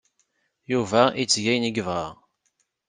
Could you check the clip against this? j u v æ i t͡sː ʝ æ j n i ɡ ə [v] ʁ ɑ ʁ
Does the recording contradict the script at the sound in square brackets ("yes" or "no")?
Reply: no